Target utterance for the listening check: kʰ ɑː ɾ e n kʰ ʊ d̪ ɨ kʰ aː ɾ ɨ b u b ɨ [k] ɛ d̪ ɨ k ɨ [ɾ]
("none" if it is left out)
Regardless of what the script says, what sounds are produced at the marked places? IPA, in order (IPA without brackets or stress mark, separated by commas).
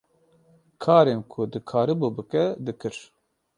k, ɾ